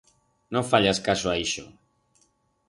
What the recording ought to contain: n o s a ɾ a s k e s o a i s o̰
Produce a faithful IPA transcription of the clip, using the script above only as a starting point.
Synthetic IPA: n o f a ʎ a s k a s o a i ʃ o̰